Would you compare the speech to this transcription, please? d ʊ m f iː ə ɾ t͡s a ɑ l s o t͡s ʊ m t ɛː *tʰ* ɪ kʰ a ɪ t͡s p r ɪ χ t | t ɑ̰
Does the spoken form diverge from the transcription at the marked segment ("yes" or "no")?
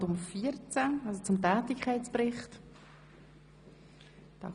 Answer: yes